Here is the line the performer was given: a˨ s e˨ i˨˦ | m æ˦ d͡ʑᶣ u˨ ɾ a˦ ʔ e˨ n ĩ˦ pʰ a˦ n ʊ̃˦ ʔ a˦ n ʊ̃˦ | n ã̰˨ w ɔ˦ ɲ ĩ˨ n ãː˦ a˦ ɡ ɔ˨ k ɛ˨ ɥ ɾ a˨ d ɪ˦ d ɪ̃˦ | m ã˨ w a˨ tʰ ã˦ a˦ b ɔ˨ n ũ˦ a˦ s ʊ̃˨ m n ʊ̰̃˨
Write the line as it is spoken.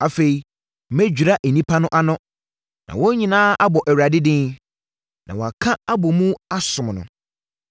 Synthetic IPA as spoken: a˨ f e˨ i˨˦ | m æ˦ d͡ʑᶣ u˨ ɾ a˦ ʔ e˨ n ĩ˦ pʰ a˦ n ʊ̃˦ ʔ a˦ n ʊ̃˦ | n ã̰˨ w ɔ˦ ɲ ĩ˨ n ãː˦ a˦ b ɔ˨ ʔ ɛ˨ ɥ ɾ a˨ d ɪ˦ d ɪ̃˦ | n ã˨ w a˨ kʰ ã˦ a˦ b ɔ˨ m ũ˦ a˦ s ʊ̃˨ m n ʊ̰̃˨